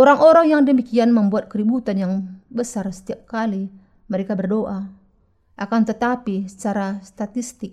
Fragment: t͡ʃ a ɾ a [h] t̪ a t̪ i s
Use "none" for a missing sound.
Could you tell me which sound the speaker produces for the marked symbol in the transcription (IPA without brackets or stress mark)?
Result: s